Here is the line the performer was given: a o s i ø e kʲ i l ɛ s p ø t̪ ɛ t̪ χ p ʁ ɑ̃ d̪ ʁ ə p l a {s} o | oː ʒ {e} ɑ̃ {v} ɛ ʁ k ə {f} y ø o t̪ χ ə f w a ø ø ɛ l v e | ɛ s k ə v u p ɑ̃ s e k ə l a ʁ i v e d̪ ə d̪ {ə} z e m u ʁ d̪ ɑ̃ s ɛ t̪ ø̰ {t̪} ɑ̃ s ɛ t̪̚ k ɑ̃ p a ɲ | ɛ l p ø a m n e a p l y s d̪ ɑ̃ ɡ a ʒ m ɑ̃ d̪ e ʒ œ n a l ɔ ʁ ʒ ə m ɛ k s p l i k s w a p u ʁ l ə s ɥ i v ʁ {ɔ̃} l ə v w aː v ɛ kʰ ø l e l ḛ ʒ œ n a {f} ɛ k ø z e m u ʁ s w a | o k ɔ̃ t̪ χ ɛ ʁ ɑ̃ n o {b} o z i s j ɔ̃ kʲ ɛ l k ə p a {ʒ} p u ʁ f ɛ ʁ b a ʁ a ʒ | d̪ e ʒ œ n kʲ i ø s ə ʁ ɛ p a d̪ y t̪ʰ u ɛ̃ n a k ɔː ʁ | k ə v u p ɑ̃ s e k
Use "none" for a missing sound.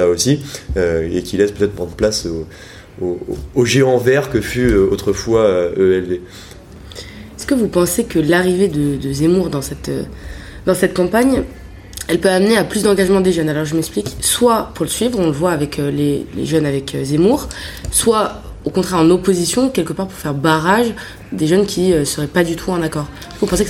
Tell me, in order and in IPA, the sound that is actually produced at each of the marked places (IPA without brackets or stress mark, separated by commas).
s, e, v, f, ə, d̪, ɔ̃, v, p, ʁ